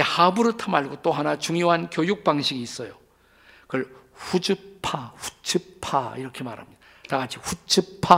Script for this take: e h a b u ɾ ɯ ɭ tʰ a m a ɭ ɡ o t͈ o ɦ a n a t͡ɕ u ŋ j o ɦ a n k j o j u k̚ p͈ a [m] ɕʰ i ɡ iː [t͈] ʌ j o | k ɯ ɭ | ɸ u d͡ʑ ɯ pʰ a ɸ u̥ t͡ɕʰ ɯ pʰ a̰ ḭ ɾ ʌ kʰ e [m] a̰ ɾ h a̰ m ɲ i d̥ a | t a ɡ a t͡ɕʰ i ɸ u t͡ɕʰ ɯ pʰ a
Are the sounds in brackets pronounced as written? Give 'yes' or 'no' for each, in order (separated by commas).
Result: no, no, yes